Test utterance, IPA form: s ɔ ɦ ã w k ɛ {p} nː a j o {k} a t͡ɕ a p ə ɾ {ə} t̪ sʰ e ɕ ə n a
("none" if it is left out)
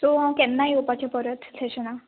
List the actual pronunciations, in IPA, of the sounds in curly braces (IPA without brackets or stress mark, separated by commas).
none, p, ə